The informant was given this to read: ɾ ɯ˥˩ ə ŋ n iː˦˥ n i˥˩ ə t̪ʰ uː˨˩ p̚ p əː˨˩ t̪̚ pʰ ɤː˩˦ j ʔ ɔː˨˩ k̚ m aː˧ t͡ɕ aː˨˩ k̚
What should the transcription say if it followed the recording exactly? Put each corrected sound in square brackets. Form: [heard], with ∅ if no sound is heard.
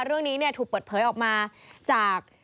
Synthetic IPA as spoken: ɾ ɯ˥˩ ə ŋ n iː˦˥ n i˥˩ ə t̪ʰ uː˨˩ [k̚] p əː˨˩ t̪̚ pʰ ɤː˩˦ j ʔ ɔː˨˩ k̚ m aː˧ t͡ɕ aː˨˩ k̚